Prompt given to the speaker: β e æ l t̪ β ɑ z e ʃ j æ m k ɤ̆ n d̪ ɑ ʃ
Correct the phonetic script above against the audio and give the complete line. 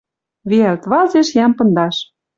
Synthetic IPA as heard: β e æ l t̪ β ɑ z e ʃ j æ m p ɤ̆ n d̪ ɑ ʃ